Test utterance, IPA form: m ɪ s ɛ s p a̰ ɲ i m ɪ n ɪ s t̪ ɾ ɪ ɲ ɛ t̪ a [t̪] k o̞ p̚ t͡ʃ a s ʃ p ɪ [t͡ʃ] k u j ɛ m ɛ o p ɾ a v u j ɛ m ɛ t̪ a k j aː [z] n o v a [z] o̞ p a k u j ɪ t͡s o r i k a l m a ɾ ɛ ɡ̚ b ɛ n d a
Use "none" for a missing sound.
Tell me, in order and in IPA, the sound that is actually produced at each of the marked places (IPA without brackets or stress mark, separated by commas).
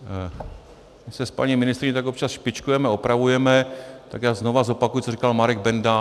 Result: none, t͡ʃ, z, z